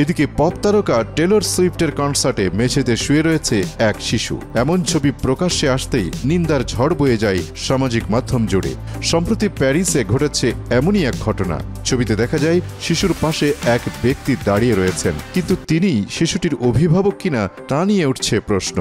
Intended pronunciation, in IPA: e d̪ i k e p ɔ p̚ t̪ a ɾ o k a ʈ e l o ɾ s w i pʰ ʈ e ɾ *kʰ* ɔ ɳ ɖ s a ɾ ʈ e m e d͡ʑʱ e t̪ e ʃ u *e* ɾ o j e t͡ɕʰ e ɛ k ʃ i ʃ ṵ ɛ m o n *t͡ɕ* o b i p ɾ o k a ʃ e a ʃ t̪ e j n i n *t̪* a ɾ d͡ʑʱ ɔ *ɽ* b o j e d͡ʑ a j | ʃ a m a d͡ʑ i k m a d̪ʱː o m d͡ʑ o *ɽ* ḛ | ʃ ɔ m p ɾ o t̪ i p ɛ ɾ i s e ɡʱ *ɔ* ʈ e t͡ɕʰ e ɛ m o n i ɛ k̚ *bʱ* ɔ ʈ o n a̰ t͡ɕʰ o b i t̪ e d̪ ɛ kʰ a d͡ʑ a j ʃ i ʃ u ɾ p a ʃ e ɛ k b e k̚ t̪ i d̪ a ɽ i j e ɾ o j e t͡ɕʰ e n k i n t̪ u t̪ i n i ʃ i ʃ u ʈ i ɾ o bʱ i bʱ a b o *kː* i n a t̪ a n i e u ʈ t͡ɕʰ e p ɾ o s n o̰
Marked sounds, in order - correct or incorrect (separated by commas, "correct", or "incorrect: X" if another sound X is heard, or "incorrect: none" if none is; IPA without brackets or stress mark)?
incorrect: k, correct, incorrect: t͡ɕʰ, incorrect: d̪, correct, correct, incorrect: o, incorrect: ɡʱ, correct